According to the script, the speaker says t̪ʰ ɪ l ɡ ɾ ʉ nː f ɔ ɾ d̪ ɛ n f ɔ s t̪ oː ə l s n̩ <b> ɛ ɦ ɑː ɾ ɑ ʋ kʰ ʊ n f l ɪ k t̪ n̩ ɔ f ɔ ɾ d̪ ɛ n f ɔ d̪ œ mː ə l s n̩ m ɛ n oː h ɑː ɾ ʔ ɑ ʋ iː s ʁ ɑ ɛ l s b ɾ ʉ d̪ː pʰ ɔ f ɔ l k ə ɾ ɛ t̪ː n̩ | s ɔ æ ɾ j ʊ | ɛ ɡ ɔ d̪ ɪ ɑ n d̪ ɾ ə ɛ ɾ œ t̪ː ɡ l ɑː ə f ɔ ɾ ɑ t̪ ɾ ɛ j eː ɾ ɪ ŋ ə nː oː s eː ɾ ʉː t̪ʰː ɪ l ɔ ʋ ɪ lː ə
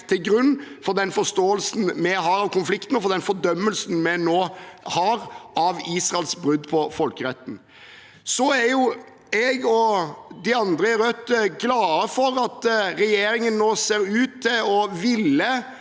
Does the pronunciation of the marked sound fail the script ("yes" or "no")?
yes